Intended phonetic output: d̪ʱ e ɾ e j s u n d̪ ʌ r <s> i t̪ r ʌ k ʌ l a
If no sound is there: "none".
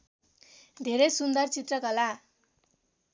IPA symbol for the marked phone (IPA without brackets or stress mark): t͡s